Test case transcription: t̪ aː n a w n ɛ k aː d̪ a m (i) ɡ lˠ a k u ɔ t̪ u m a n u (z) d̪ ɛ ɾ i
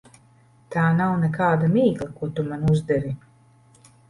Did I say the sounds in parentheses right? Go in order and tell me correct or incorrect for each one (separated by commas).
incorrect, correct